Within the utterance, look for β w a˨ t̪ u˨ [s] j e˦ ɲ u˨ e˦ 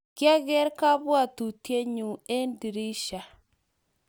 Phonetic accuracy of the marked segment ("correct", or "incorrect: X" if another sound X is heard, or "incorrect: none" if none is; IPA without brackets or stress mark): incorrect: t